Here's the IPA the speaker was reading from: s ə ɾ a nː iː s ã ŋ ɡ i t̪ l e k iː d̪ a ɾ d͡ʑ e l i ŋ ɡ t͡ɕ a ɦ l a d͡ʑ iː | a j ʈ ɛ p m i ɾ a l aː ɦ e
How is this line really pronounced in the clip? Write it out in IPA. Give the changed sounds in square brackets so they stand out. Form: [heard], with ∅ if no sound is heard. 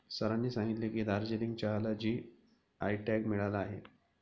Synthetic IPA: s ə ɾ a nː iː s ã ŋ ɡ i t̪ l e k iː d̪ a ɾ d͡ʑ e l i ŋ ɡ t͡ɕ a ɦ l a d͡ʑ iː | a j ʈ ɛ [k] m i [ɭ] a l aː ɦ e